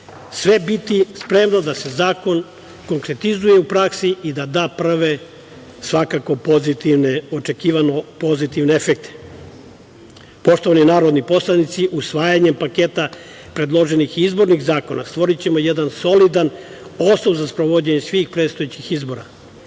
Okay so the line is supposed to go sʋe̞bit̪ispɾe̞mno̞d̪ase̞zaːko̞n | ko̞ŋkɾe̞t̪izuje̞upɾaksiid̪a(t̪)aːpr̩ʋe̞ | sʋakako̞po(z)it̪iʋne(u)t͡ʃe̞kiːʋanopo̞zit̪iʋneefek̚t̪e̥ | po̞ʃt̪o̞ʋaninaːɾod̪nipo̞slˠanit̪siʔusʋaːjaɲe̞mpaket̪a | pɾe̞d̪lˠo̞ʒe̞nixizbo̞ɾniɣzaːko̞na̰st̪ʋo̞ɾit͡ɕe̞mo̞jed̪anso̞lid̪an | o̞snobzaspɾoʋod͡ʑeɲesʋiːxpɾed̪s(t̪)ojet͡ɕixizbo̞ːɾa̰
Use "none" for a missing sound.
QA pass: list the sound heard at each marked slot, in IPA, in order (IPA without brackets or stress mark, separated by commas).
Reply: d̪, z, o, t̪